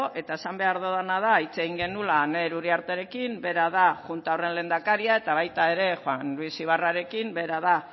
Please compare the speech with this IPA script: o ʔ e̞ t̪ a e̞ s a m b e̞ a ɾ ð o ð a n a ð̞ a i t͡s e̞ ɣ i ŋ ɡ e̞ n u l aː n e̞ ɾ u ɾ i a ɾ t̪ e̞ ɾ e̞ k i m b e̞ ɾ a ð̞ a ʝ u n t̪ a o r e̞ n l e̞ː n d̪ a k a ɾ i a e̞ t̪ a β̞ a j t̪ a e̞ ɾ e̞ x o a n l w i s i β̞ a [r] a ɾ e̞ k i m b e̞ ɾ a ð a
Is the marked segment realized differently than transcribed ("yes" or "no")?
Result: no